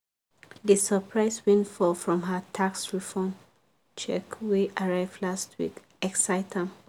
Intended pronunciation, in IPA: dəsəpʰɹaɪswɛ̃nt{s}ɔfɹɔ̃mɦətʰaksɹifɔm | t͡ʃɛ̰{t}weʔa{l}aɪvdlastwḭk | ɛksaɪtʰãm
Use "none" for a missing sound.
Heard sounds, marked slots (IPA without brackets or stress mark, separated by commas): f, k, ɹ